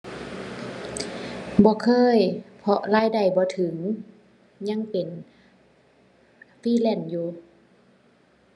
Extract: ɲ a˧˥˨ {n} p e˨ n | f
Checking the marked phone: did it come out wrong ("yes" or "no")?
yes